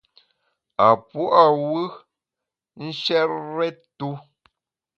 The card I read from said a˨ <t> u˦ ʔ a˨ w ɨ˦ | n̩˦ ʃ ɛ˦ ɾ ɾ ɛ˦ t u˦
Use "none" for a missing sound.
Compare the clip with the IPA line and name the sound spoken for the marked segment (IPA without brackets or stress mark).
p